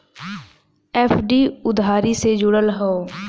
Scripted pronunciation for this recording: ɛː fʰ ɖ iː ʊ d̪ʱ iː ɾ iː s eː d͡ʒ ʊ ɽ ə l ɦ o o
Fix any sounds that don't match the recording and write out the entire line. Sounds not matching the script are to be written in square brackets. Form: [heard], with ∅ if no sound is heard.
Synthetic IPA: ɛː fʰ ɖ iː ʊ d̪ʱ [aː] ɾ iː s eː d͡ʒ ʊ ɽ ə l ɦ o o